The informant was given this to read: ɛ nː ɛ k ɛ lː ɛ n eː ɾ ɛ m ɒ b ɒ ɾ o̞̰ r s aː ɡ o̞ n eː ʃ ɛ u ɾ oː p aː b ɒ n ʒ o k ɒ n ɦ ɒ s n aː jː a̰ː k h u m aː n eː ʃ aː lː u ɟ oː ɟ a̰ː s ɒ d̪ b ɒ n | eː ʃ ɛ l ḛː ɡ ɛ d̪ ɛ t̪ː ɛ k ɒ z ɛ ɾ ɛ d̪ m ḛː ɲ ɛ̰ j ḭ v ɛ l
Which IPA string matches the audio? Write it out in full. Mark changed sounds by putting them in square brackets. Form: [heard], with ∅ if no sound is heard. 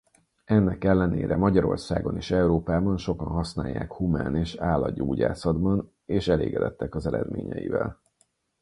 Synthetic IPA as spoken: ɛ nː ɛ k ɛ lː ɛ n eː ɾ ɛ m ɒ [ɟ] ɒ ɾ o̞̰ r s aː ɡ o̞ n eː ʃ ɛ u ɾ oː p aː b ɒ n [ʃ] o k ɒ n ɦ ɒ s n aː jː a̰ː k h u m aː n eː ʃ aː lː [ɒ] ɟ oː ɟ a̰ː s ɒ d̪ b ɒ n | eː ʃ ɛ l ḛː ɡ ɛ d̪ ɛ t̪ː ɛ k ɒ z ɛ ɾ ɛ d̪ m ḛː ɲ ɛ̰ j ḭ v ɛ l